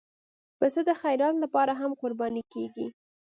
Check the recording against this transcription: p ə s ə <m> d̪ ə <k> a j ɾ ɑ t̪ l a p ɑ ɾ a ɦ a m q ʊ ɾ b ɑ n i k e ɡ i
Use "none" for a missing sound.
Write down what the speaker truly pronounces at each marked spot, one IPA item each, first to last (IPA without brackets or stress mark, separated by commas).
none, x